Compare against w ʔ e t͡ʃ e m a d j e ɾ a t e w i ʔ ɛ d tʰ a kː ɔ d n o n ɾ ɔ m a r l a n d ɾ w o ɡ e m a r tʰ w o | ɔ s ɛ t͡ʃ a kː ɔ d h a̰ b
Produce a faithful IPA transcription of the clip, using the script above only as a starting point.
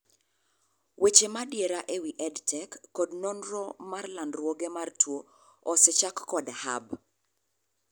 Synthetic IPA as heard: w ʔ e t͡ʃ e m a d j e ɾ a ʔ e w i ʔ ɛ d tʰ ɛ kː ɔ d n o n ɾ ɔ m a r l a n d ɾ w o ɡ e m a r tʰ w o | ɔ s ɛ t͡ʃ a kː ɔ d h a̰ b